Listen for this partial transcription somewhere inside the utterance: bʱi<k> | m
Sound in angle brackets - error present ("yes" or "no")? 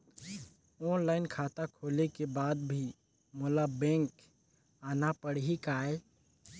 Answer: yes